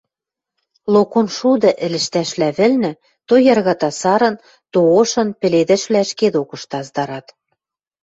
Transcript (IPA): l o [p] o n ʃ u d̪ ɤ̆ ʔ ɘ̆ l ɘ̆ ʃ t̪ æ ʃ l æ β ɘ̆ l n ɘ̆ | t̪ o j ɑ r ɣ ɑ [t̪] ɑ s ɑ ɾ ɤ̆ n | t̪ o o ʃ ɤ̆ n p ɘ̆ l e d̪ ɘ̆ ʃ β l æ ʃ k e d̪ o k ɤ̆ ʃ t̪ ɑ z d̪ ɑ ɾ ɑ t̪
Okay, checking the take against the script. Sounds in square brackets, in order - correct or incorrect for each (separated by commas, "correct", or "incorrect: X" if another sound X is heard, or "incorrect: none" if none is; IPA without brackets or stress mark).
incorrect: k, correct